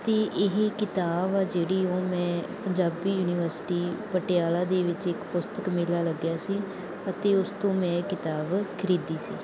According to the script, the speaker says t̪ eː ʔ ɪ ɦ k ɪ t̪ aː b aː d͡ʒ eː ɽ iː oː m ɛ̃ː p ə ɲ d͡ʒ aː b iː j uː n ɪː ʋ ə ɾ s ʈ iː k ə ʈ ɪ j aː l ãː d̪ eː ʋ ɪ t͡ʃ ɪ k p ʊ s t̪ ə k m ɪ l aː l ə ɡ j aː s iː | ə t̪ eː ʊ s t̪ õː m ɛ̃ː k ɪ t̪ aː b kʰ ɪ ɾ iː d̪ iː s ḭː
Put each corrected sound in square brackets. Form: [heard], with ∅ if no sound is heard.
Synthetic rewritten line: t̪ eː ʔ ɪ ɦ k ɪ t̪ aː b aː d͡ʒ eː ɽ iː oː m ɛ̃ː p ə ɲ d͡ʒ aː b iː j uː n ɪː ʋ ə ɾ s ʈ iː [p] ə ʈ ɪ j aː l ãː d̪ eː ʋ ɪ t͡ʃ ɪ k p ʊ s t̪ ə k m ɪ l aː l ə ɡ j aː s iː | ə t̪ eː ʊ s t̪ õː m ɛ̃ː k ɪ t̪ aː b kʰ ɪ ɾ iː d̪ iː s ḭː

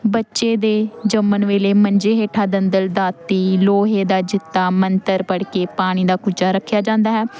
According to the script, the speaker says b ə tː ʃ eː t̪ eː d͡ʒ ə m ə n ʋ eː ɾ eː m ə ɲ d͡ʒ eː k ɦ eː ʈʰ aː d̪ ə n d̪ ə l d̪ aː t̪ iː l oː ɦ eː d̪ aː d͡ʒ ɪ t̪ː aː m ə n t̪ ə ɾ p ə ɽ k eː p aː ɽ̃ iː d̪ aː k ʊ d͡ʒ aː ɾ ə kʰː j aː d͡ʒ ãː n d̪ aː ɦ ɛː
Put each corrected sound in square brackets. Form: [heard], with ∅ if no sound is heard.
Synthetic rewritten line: b ə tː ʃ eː [d̪] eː d͡ʒ ə m ə n ʋ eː [l] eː m ə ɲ d͡ʒ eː [∅] ɦ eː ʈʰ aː d̪ ə n d̪ ə l d̪ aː t̪ iː l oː ɦ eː d̪ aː d͡ʒ ɪ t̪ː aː m ə n t̪ ə ɾ p ə ɽ k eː p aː ɽ̃ iː d̪ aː k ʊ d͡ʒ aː ɾ ə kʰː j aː d͡ʒ ãː n d̪ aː ɦ ɛː

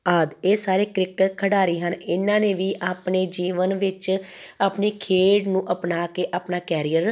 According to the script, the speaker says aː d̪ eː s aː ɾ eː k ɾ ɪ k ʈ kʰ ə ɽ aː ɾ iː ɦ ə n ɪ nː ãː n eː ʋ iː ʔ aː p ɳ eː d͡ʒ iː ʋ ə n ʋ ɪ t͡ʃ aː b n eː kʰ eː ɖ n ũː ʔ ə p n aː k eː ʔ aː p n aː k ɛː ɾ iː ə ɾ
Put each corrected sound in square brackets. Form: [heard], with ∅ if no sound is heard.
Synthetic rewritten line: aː d̪ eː s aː ɾ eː k ɾ ɪ k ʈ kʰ ə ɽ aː ɾ iː ɦ ə n ɪ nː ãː n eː ʋ iː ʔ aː p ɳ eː d͡ʒ iː ʋ ə n ʋ ɪ t͡ʃ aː [p] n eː kʰ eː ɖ n ũː ʔ ə p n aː k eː ʔ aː p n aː k ɛː ɾ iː ə ɾ

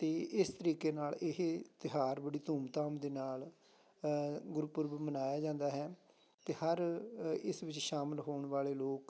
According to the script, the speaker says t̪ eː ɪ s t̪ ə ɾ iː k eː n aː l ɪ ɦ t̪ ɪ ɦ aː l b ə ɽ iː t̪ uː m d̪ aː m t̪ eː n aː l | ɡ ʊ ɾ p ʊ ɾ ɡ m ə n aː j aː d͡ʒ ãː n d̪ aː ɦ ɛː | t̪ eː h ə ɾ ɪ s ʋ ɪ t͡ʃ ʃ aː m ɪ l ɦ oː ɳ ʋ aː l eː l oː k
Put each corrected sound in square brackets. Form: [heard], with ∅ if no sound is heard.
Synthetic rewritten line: t̪ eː ɪ s t̪ ə ɾ iː k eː n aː l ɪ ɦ t̪ ɪ ɦ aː [ɾ] b ə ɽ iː t̪ uː m [t̪] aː m [d̪] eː n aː l | ɡ ʊ ɾ p ʊ ɾ [b] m ə n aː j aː d͡ʒ ãː n d̪ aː ɦ ɛː | t̪ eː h ə ɾ ɪ s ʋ ɪ t͡ʃ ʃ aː m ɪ l ɦ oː ɳ ʋ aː l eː l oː k

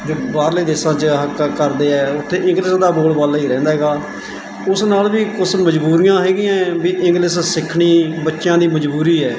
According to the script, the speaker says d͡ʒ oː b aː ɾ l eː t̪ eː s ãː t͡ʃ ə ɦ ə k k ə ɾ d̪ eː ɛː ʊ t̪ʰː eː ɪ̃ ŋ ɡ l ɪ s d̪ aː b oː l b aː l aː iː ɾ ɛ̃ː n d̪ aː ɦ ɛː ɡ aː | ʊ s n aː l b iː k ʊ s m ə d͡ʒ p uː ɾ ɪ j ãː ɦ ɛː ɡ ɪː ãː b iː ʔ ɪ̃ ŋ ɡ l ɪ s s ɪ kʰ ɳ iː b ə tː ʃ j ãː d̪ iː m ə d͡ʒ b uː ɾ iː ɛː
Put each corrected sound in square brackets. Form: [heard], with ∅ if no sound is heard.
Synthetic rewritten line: d͡ʒ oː b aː ɾ l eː [d̪] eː s ãː t͡ʃ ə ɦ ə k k ə ɾ d̪ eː ɛː ʊ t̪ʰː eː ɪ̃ ŋ ɡ l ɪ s d̪ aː b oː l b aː l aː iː ɾ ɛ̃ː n d̪ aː ɦ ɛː ɡ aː | ʊ s n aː l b iː k ʊ s m ə d͡ʒ [b] uː ɾ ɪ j ãː ɦ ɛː ɡ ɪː ãː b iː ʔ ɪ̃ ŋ ɡ l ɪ s s ɪ kʰ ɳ iː b ə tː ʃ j ãː d̪ iː m ə d͡ʒ b uː ɾ iː ɛː

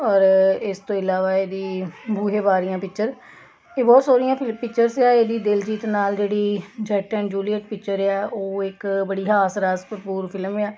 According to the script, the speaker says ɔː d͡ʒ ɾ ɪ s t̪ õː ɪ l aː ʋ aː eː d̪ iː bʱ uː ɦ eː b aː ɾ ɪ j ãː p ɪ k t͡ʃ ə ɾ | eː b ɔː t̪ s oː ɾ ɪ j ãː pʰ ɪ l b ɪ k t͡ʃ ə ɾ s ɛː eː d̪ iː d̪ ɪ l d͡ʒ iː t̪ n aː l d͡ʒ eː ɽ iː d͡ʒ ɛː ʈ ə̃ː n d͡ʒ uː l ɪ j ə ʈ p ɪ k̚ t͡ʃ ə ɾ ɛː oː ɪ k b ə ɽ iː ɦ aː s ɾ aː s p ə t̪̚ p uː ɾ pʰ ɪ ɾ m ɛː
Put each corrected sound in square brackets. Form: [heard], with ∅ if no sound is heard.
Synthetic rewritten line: ɔː [∅] ɾ ɪ s t̪ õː ɪ l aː ʋ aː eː d̪ iː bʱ uː ɦ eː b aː ɾ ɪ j ãː p ɪ k t͡ʃ ə ɾ | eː b ɔː t̪ s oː ɾ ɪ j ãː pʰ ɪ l [p] ɪ k t͡ʃ ə ɾ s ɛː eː d̪ iː d̪ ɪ l d͡ʒ iː t̪ n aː l d͡ʒ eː ɽ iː d͡ʒ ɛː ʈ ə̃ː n d͡ʒ uː l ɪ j ə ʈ p ɪ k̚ t͡ʃ ə ɾ ɛː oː ɪ k b ə ɽ iː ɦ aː s ɾ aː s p ə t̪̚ p uː ɾ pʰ ɪ [l] m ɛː

